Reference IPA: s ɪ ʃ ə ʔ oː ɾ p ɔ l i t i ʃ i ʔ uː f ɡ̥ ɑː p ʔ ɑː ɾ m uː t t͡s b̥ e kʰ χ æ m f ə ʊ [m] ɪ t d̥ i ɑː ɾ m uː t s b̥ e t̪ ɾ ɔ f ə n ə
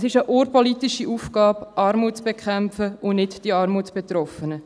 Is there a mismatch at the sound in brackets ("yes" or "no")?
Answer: yes